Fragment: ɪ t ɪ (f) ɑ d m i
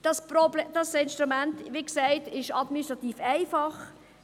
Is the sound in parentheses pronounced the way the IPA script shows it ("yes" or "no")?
no